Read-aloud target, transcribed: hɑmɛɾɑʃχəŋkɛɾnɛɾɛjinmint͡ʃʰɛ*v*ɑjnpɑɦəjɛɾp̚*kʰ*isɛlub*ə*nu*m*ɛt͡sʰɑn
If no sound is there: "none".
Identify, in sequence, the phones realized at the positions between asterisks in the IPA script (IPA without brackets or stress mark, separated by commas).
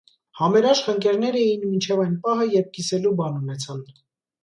v, k, ɑ, n